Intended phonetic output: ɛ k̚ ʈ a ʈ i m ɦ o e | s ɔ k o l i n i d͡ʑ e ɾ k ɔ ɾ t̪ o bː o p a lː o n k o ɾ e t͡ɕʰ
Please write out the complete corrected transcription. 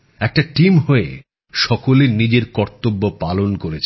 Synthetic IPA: ɛ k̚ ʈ a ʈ i m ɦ o e | ʃ ɔ k o l e n i d͡ʑ e ɾ k ɔ ɾ t̪ o bː o p a l o n k o ɾ e t͡ɕʰ